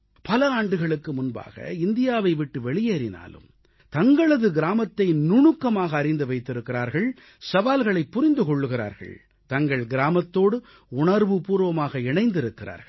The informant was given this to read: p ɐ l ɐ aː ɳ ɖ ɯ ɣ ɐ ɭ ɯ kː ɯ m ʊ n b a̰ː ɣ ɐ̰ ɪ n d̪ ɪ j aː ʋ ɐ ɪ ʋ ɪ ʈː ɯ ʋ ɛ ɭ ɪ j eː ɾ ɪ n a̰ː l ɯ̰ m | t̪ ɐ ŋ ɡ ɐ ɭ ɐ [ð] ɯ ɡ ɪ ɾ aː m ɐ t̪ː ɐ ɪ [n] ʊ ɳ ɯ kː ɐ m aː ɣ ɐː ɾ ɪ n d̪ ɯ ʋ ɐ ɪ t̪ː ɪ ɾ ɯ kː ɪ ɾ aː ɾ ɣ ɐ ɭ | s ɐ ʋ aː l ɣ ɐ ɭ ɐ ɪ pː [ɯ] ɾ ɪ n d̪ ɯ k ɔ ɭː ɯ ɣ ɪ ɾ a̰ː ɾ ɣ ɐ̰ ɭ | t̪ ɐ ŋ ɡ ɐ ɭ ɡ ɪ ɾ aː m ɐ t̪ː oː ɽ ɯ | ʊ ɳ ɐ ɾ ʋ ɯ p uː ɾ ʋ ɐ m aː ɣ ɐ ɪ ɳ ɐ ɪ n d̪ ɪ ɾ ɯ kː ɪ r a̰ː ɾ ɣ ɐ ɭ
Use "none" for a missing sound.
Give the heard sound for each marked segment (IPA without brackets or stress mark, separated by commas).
ð, n, ʊ